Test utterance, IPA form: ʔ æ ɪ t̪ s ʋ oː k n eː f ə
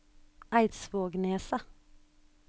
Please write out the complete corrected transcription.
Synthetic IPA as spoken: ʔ æ ɪ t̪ s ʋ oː ɡ n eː s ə